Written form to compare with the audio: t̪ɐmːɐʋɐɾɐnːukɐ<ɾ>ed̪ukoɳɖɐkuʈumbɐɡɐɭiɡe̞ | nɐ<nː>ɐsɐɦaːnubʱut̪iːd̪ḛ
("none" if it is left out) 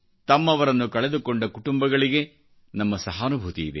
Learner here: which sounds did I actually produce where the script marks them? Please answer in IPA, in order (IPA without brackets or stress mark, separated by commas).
ɭ, mː